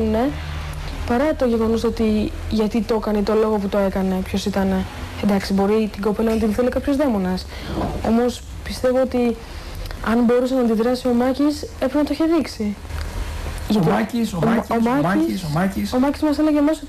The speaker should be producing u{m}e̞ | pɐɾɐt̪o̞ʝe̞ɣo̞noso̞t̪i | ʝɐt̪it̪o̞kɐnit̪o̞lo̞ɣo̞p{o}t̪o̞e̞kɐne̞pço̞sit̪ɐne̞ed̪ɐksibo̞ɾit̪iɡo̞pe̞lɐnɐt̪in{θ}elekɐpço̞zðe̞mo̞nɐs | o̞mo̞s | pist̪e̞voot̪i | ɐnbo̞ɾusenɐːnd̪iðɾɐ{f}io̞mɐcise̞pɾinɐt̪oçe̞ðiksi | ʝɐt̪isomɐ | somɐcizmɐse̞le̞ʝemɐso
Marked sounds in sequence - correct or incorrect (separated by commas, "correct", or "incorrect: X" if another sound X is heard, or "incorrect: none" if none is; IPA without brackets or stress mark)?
incorrect: n, incorrect: u, correct, incorrect: s